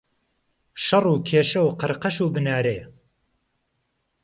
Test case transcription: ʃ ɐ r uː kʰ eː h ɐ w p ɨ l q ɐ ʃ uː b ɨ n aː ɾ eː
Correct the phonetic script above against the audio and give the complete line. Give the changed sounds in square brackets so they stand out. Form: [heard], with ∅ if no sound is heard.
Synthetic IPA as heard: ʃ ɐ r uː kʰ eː [ʃ] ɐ w [q] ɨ [ɾ] q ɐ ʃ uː b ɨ n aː ɾ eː